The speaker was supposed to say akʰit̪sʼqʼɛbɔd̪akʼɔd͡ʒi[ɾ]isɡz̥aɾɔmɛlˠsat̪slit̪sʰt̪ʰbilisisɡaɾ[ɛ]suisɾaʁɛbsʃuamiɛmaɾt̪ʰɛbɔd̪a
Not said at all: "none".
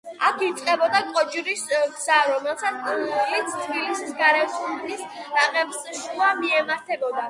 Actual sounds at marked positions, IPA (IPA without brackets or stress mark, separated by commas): ɾ, ɛ